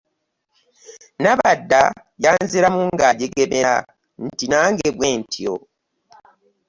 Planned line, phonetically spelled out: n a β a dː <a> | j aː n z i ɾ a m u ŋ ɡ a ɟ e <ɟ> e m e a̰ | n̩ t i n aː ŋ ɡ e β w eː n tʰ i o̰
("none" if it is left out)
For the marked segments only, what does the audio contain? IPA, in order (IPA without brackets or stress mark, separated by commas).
a, ɡ